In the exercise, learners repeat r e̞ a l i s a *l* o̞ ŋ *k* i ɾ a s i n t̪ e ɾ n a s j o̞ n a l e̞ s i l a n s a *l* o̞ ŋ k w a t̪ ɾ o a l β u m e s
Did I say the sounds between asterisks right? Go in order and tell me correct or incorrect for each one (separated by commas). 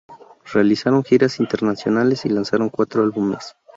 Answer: incorrect, incorrect, incorrect